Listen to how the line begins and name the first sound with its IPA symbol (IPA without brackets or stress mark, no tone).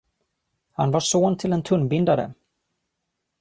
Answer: h